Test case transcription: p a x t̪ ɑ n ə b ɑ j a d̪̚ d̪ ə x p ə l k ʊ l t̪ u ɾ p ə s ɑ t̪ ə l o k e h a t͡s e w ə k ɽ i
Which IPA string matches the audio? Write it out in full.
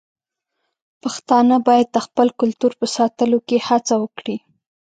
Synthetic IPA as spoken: p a x t̪ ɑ n ə b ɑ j a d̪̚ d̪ ə x p ə l k ʊ l t̪ u ɾ p ə s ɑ t̪ ə l o k e h a t͡s a w ə k ɽ i